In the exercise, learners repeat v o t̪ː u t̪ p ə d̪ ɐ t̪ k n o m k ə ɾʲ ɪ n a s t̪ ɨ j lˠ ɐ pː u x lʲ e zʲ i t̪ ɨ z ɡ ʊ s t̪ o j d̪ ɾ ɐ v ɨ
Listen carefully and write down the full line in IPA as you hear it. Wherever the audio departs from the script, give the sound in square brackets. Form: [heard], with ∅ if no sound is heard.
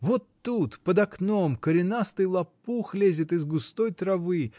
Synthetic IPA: v o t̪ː u t̪ p ə d̪ ɐ [∅] k n o m k ə ɾʲ ɪ n a s t̪ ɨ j lˠ ɐ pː u x lʲ e zʲ [ɪ] t̪ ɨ z ɡ ʊ s t̪ o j [t̪] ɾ ɐ v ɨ